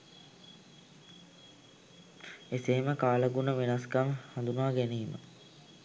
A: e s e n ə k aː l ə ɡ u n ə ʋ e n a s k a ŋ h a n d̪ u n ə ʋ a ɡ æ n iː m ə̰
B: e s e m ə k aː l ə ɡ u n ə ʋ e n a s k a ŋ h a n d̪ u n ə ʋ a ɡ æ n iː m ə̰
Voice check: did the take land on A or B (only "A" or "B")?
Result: B